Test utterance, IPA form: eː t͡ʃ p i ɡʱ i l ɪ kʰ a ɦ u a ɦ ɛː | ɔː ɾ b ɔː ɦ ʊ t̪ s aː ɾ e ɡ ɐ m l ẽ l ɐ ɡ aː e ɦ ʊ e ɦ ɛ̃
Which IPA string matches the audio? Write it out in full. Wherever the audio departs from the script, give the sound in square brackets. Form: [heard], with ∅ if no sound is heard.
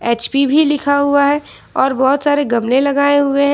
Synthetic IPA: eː t͡ʃ p i [bʱ] i l ɪ kʰ a ɦ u a ɦ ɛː | ɔː ɾ b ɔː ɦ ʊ t̪ s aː ɾ e ɡ ɐ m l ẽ l ɐ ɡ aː e ɦ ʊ e ɦ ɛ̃